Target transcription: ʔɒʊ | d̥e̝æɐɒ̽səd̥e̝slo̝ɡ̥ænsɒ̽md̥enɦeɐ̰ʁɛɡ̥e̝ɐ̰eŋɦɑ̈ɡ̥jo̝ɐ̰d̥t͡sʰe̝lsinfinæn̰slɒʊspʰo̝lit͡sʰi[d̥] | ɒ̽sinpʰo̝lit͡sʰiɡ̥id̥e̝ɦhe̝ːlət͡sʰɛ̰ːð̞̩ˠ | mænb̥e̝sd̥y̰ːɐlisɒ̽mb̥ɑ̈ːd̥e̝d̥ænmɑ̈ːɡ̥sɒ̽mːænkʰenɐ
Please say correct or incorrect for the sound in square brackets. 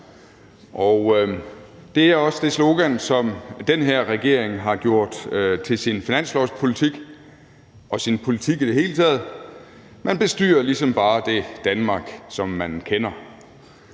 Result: incorrect: ɡ̥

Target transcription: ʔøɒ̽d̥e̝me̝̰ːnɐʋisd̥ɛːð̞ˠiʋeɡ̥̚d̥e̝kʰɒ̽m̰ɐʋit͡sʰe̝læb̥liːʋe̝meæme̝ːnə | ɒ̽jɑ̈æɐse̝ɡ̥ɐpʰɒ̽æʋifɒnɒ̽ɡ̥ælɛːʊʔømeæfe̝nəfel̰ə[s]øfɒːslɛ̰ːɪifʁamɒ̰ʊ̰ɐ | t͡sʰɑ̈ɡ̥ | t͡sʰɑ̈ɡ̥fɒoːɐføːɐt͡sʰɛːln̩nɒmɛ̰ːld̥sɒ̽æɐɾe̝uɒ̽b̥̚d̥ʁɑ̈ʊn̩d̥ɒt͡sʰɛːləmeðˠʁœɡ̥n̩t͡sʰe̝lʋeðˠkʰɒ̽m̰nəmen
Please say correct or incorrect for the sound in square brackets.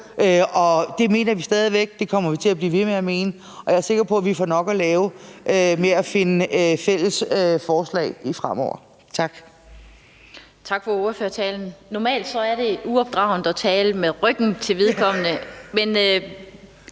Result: correct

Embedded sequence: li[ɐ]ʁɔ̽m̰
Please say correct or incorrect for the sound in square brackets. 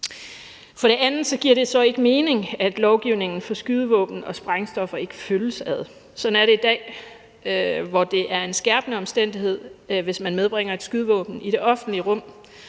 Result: incorrect: ə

